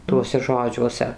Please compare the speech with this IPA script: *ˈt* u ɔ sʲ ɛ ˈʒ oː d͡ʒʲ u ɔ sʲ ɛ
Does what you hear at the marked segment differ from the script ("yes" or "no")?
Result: no